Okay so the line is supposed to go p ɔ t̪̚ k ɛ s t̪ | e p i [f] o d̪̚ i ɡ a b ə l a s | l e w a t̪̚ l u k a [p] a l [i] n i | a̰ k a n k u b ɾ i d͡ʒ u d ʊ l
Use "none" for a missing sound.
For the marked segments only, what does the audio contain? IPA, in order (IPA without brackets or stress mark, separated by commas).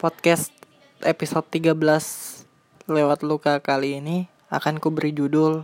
s, k, iː